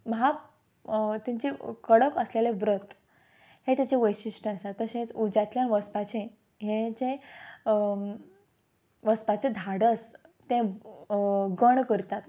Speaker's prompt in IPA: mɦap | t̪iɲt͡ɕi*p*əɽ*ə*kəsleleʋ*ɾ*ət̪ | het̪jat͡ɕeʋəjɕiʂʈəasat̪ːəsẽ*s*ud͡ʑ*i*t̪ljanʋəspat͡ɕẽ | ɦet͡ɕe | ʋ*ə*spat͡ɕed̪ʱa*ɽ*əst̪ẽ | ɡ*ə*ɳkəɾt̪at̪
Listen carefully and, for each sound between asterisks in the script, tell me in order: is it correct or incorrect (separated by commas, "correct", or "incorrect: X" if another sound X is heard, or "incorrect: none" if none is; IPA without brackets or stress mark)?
incorrect: k, correct, correct, incorrect: t͡s, incorrect: a, correct, correct, correct